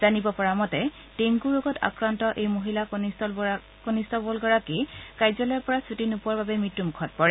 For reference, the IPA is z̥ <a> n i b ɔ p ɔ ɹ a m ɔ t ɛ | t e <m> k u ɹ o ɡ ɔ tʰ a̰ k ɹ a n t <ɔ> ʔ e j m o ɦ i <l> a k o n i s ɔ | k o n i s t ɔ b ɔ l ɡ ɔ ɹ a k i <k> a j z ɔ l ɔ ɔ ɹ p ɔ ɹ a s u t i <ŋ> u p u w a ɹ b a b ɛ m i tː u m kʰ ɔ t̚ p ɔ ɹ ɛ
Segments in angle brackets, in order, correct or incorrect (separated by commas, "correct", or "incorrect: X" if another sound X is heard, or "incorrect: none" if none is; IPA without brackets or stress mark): correct, incorrect: ŋ, correct, correct, correct, incorrect: n